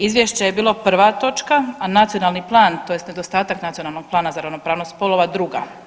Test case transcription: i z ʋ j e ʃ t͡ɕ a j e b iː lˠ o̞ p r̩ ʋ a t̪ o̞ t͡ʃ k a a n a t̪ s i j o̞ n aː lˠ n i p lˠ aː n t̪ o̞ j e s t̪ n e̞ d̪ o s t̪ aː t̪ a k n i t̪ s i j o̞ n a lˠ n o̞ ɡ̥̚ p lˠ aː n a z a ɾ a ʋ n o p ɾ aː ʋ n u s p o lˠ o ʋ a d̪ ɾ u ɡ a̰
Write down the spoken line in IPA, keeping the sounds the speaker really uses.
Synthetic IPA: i z ʋ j e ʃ t͡ɕ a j e b iː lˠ o̞ p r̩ ʋ a t̪ o̞ t͡ʃ k a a n a t̪ s i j o̞ n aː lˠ n i p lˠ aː n t̪ o̞ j e s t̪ n e̞ d̪ o s t̪ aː t̪ a k n a t̪ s i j o̞ n a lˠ n o̞ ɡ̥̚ p lˠ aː n a z a ɾ a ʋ n o p ɾ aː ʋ n o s p o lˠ o ʋ a d̪ ɾ u ɡ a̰